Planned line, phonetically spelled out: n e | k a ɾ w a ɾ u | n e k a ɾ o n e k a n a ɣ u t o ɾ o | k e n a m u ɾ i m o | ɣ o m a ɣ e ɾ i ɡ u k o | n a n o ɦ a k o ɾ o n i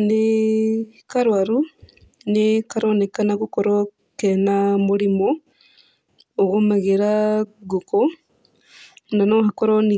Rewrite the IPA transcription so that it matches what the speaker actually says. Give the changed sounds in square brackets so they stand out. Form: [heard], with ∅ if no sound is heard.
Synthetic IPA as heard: n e | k a ɾ w a ɾ u | n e k a ɾ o n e k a n a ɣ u [k] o ɾ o | k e n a m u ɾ i m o | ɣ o m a ɣ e ɾ [a] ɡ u k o | n a n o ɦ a k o ɾ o n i